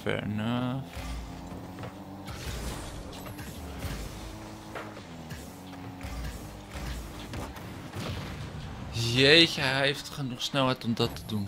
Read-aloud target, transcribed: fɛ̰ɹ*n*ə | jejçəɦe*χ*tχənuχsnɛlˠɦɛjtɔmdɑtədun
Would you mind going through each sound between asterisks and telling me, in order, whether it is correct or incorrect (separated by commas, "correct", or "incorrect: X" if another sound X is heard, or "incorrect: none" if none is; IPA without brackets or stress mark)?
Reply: correct, incorrect: f